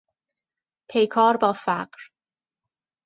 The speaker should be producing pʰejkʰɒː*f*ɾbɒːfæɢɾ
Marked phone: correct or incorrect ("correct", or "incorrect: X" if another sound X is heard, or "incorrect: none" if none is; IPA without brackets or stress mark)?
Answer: incorrect: none